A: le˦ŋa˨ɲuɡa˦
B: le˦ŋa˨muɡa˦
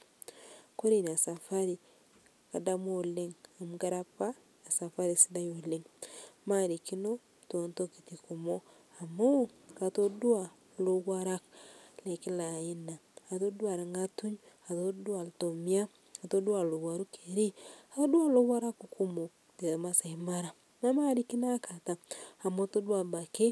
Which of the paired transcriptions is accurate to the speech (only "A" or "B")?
B